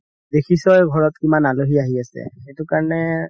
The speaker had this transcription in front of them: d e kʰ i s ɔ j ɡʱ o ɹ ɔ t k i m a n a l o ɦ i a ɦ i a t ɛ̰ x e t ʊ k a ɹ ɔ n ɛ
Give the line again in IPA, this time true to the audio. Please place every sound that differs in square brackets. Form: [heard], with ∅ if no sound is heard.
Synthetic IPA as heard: d e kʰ i s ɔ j ɡʱ [ɔ] ɹ ɔ t k i m a n a l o ɦ i a ɦ i a [s] ɛ̰ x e t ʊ k a ɹ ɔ n ɛ